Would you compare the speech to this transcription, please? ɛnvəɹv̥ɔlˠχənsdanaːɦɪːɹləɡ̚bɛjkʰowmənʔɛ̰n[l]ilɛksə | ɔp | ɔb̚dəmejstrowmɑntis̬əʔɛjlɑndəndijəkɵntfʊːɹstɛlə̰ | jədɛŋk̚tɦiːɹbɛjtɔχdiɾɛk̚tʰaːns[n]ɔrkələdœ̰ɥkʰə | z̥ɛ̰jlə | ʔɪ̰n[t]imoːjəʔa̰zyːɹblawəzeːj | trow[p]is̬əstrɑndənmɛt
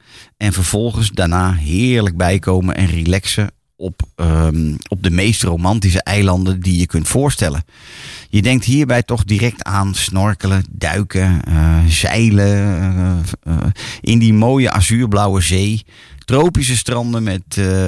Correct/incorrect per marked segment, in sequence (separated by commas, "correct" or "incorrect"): incorrect, correct, incorrect, correct